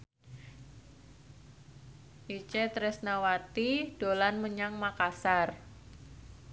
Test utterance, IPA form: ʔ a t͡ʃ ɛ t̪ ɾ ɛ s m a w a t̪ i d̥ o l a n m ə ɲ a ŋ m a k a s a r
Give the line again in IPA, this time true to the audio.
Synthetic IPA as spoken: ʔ i t͡ʃ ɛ t̪ ɾ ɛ s n a w a t̪ i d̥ o l a n m ə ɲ a ŋ m a k a s a r